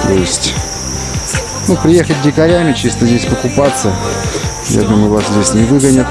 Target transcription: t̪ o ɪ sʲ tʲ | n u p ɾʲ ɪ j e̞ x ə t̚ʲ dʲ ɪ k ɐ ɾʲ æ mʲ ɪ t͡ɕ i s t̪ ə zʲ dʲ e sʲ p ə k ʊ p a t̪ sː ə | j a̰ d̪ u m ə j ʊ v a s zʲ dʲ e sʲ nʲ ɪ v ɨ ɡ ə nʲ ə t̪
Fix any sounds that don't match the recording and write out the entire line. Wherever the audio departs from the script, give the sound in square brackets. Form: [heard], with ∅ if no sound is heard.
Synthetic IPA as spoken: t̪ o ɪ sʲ tʲ | n u p ɾʲ ɪ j e̞ x ə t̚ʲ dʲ ɪ k ɐ ɾʲ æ mʲ ɪ t͡ɕ i s t̪ ə zʲ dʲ e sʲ p ə k ʊ p a t̪ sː ə | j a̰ d̪ u m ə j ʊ v a s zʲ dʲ e sʲ nʲ ɪ v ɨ ɡ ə nʲ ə t̪